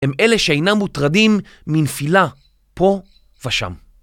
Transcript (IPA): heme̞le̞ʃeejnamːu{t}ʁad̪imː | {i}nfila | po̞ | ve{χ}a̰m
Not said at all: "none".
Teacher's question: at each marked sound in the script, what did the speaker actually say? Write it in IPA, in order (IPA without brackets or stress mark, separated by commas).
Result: t, i, ʃ